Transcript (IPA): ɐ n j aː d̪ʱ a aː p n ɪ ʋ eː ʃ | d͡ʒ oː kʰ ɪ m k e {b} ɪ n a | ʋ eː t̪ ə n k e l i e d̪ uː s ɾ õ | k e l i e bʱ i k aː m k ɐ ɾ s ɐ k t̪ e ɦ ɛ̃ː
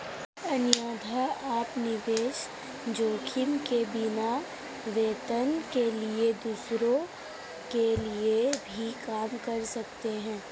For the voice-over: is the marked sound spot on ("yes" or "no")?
yes